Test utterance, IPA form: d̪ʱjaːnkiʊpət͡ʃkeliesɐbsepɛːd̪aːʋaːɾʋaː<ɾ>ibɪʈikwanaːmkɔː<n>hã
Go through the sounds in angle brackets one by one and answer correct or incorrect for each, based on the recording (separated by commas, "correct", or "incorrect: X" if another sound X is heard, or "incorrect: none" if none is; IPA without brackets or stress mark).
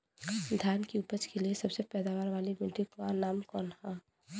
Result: incorrect: l, correct